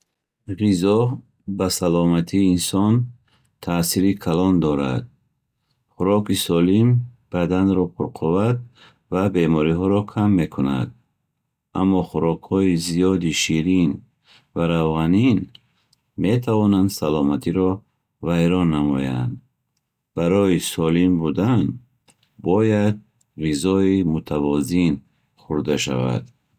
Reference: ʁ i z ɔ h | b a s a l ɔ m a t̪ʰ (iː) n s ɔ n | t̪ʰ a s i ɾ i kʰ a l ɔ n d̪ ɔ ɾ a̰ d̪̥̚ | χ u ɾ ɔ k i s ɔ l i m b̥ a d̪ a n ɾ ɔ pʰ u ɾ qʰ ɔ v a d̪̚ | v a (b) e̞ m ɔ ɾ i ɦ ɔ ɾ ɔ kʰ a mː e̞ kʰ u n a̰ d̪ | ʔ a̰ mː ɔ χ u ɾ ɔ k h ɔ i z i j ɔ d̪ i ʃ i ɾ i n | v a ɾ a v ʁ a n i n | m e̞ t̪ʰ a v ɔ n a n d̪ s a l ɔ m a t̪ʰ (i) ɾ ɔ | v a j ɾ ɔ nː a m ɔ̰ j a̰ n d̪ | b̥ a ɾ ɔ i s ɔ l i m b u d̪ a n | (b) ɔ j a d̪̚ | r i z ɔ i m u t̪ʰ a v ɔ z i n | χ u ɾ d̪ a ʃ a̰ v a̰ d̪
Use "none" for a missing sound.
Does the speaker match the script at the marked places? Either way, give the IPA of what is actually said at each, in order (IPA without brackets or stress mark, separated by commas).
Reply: iː, b, i, b